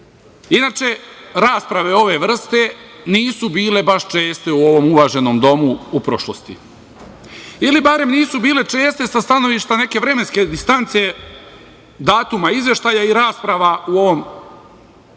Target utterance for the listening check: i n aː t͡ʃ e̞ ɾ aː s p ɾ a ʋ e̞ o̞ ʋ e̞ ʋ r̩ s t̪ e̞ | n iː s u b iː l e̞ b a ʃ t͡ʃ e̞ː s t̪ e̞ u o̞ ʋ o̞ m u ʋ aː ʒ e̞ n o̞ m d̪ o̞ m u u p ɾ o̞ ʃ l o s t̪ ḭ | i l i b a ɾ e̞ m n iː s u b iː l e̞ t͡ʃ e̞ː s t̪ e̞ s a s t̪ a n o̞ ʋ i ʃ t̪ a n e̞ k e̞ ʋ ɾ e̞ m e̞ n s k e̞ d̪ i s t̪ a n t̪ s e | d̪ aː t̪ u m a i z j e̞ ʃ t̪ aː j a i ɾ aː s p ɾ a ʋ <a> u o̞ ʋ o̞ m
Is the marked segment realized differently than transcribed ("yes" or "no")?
no